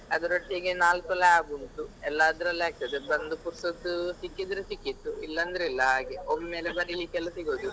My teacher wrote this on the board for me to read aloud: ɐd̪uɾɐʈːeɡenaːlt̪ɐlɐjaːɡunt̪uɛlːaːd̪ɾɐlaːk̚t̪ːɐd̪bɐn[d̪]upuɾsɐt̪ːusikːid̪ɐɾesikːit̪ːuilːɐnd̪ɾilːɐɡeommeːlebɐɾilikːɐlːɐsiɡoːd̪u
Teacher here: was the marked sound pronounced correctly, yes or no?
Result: yes